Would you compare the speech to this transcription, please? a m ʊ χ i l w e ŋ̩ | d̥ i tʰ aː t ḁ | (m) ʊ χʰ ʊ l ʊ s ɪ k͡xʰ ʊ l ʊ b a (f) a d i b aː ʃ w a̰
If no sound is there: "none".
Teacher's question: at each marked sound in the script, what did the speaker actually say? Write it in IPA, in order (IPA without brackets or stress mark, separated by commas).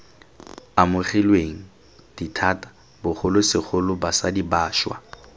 b, s